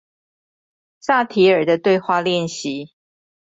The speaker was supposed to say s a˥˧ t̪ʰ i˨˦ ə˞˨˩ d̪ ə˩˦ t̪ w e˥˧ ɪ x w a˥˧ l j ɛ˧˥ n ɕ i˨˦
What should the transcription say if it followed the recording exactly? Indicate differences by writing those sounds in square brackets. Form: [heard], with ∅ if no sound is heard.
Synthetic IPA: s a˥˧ t̪ʰ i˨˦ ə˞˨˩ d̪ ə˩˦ t̪ w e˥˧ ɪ x w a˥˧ l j [ɛ˥˨] n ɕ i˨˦